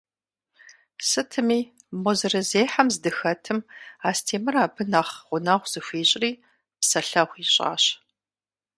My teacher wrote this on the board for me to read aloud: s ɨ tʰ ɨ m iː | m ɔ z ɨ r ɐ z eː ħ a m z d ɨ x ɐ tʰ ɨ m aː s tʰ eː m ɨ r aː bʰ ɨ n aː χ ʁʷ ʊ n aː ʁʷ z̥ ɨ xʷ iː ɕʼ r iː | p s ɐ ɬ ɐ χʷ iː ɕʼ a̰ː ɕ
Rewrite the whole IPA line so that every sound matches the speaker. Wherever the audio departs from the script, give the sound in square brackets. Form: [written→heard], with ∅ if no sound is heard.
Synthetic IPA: s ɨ tʰ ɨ m iː | m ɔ z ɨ r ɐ z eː ħ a m z d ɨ x ɐ tʰ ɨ m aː s tʰ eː m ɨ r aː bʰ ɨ n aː χ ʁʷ ʊ n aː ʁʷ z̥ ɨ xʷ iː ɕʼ r iː | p s ɐ ɬ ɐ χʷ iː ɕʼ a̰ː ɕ

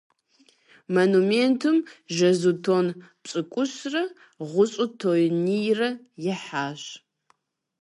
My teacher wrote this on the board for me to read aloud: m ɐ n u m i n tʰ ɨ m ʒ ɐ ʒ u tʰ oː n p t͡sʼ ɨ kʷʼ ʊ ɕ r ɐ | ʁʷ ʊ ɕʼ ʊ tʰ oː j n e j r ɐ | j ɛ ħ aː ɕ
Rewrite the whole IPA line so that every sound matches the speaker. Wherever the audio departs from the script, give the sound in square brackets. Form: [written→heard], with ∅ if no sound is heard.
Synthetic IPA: m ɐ n u m [i→e] n tʰ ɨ m ʒ ɐ [ʒ→z] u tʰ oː n p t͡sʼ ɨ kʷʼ ʊ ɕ r ɐ | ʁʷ ʊ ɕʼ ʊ tʰ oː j n [e→i] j r ɐ | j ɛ ħ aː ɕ

